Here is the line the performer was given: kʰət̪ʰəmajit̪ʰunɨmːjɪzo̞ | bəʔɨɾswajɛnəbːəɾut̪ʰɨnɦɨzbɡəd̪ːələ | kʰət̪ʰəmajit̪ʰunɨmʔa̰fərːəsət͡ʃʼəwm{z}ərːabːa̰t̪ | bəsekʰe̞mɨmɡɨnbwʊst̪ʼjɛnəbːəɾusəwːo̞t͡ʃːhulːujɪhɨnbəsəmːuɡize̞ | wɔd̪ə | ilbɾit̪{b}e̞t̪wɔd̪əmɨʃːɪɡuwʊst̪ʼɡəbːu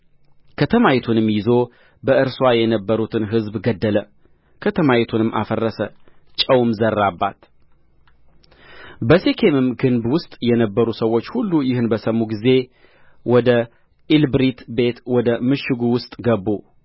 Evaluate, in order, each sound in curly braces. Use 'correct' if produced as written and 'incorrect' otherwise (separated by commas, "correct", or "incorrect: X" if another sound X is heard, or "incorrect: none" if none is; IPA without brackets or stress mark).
correct, correct